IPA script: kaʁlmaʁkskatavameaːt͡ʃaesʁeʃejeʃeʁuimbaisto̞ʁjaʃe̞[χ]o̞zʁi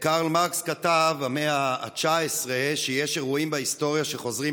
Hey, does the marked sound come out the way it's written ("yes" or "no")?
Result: yes